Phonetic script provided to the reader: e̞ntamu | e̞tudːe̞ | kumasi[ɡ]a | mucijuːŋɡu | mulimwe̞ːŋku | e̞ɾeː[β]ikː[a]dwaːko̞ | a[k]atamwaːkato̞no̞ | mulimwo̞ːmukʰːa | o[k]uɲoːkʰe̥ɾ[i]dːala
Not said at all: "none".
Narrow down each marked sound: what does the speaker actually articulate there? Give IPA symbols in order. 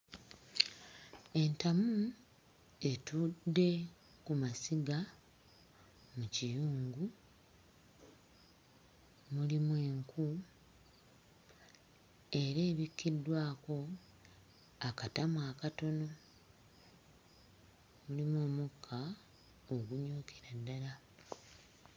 ɡ, β, i, k, ɡ, a

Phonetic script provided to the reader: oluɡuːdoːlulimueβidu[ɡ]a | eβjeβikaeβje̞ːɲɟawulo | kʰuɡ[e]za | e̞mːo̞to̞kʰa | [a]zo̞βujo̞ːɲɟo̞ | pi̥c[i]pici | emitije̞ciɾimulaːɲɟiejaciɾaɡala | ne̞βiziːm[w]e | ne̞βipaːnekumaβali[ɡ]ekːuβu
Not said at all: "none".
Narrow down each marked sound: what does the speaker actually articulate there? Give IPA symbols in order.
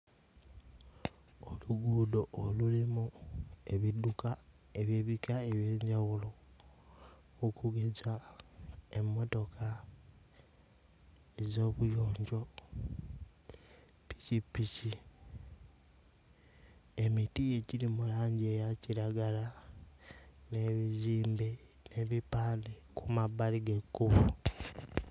k, e, e, i, b, ɡ

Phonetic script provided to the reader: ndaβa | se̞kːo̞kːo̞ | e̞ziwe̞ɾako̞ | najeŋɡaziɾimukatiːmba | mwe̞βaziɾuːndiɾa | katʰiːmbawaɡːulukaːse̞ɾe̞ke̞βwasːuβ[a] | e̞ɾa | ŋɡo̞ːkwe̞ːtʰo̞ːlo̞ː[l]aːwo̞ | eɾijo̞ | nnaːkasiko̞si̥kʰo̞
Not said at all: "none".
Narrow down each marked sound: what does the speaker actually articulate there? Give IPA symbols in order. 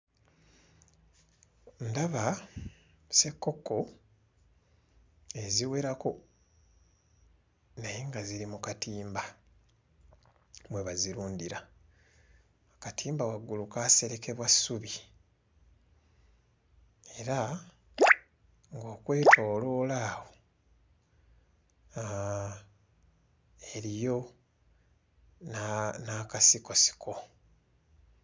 i, l

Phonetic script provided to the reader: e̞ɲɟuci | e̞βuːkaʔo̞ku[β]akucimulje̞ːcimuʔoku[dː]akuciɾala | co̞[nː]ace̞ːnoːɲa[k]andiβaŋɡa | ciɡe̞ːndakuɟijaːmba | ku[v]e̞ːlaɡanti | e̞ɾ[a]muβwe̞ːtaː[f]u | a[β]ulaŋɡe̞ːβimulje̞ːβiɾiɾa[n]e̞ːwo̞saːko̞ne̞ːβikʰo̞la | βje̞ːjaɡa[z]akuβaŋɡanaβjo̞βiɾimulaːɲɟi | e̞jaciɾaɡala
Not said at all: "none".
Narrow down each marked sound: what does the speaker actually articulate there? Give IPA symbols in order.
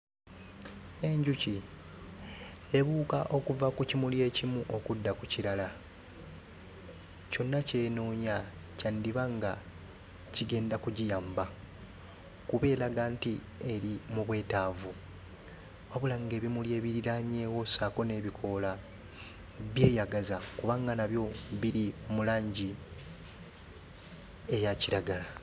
v, dː, nː, c, β, i, v, β, ɲ, z

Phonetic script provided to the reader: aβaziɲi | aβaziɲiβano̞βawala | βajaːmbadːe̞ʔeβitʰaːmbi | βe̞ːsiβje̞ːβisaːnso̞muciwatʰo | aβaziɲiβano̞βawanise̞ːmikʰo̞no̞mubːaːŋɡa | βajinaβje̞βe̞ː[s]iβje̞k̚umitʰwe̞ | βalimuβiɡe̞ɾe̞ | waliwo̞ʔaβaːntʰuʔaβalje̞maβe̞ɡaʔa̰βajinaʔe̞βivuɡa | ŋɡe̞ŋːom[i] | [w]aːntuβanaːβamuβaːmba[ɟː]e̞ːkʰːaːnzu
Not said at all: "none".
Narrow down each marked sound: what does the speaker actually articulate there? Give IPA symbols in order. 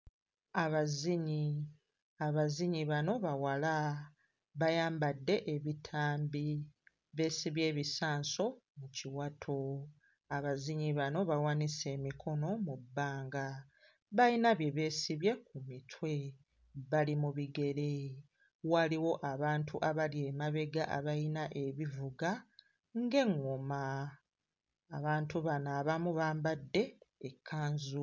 s, a, β, dː

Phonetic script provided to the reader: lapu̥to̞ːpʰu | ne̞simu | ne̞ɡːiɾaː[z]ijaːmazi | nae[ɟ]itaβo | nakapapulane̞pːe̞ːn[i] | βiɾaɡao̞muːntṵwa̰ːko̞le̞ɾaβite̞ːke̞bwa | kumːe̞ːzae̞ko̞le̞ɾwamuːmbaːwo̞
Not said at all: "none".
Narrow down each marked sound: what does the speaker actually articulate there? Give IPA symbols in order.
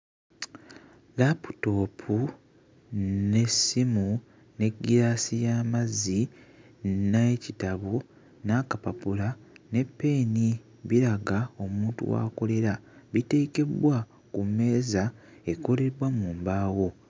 s, c, i

